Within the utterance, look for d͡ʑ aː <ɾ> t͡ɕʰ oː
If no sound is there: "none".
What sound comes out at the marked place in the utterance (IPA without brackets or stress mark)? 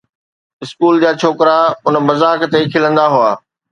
none